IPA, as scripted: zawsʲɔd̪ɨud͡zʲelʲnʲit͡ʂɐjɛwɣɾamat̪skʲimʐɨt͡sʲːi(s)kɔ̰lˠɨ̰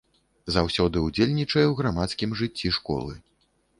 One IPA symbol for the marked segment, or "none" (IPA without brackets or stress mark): ʂ